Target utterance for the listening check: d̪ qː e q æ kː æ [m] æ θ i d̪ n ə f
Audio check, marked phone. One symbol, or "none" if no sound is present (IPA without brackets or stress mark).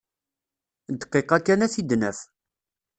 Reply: n